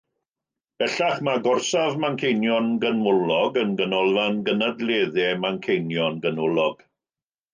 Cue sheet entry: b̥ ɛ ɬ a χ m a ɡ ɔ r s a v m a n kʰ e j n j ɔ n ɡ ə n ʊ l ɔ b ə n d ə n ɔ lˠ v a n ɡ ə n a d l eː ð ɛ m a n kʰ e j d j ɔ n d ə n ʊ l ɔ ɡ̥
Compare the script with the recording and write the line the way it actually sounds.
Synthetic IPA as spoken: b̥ ɛ ɬ a χ m a ɡ ɔ r s a v m a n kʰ e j n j ɔ n ɡ ə n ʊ l ɔ ɡ ə n ɡ ə n ɔ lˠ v a n ɡ ə n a d l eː ð ɛ m a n kʰ e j n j ɔ n ɡ ə n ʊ l ɔ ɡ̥